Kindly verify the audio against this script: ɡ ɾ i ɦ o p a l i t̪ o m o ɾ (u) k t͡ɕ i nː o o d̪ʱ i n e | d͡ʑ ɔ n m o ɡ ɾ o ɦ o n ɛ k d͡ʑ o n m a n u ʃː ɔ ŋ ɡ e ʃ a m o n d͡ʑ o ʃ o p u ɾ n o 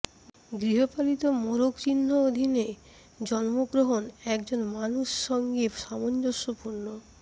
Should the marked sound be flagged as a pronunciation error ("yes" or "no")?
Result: yes